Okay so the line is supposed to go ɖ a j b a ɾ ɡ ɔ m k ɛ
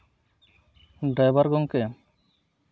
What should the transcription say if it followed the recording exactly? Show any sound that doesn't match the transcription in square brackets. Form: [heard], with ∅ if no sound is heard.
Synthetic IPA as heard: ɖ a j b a ɾ ɡ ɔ [ŋ] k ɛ